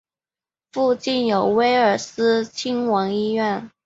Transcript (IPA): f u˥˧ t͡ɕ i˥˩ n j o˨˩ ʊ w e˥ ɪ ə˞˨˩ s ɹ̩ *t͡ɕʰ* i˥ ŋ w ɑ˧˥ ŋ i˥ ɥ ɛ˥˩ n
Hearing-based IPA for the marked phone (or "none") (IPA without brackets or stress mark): t͡ɕʰ